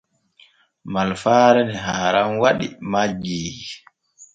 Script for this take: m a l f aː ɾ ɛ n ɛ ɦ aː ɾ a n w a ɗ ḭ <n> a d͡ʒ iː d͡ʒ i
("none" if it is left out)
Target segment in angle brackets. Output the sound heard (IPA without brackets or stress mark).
m